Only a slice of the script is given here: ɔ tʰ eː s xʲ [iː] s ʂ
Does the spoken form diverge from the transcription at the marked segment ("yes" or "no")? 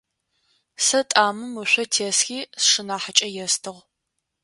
no